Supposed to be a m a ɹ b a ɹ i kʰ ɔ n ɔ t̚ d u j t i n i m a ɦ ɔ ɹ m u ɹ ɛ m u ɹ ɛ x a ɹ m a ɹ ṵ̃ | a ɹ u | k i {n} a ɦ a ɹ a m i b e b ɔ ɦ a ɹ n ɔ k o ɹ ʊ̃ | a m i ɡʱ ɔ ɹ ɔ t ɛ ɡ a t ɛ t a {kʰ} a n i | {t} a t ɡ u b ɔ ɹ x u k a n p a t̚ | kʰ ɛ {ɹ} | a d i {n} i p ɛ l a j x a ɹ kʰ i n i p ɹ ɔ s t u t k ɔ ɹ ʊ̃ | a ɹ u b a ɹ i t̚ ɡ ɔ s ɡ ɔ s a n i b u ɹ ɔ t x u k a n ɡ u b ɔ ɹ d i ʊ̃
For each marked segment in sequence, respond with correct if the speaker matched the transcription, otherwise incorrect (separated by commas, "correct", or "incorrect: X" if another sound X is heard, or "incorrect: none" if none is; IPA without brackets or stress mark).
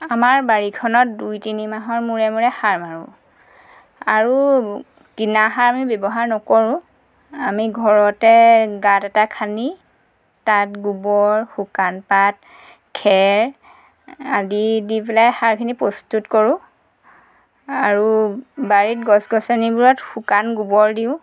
correct, correct, correct, correct, incorrect: d